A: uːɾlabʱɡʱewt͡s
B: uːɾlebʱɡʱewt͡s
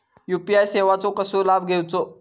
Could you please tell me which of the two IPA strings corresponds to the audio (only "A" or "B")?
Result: A